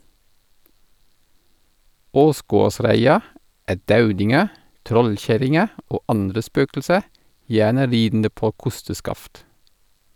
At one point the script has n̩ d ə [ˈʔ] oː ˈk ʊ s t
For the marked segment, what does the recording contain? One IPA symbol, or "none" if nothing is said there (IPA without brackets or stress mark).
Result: p